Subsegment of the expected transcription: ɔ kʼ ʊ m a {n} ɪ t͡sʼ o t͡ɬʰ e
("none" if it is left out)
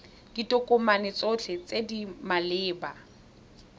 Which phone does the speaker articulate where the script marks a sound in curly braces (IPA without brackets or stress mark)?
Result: n